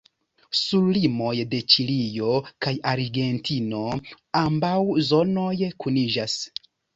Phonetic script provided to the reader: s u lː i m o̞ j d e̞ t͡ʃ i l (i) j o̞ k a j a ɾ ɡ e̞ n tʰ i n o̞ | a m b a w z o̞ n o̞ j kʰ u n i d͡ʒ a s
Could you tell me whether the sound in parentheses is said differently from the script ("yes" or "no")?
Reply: no